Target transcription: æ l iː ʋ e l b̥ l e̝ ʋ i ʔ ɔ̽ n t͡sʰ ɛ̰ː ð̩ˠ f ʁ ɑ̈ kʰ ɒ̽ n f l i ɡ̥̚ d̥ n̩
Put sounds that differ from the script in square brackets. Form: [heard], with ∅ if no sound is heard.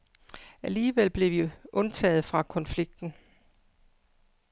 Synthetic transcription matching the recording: æ l iː ʋ e l b̥ l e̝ ʋ i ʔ ɔ̽ n t͡sʰ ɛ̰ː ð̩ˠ f ʁ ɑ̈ kʰ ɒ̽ n f l i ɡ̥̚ d̥ n̩